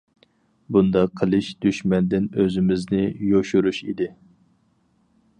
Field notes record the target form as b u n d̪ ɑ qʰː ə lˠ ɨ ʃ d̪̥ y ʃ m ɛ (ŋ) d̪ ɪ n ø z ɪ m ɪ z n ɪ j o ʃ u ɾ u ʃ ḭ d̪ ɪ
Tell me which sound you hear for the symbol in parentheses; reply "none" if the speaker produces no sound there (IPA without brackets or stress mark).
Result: n